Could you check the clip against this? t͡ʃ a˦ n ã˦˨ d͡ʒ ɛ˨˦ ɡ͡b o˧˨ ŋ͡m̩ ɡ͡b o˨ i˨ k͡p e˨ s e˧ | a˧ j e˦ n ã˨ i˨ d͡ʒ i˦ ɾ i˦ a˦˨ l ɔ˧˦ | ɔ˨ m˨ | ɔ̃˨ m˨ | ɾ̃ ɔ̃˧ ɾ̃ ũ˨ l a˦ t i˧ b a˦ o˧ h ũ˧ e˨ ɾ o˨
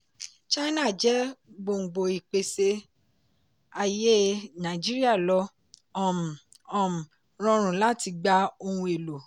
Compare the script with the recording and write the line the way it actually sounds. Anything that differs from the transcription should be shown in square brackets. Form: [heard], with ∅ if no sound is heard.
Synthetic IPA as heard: t͡ʃ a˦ n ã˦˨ d͡ʒ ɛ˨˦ ɡ͡b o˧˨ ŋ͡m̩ ɡ͡b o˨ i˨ k͡p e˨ s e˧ | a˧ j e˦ n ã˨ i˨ d͡ʒ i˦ ɾ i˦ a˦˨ l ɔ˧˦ | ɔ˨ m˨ | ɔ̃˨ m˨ | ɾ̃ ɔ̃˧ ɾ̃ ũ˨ l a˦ t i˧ [ɡ͡b] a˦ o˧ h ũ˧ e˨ [l] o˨